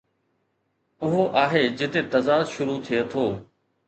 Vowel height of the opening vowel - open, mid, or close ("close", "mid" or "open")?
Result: close